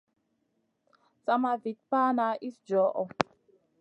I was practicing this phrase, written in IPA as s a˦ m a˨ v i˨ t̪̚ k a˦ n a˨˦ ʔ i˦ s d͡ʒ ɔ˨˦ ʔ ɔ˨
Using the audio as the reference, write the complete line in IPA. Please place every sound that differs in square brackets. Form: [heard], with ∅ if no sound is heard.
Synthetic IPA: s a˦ m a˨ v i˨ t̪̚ [p] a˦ n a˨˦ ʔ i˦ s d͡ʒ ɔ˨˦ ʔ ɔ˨